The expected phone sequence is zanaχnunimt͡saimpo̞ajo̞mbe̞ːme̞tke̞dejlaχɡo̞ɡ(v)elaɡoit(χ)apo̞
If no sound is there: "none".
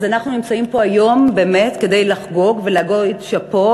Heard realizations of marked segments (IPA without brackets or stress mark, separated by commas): v, ʃ